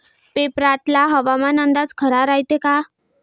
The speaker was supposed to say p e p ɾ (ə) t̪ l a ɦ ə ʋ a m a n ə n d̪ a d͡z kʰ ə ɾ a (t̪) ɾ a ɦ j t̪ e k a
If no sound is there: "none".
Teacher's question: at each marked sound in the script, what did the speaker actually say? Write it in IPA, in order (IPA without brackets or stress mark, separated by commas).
a, none